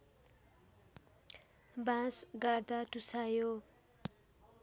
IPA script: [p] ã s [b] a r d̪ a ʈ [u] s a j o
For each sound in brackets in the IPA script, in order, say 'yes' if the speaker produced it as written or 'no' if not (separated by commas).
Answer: no, no, yes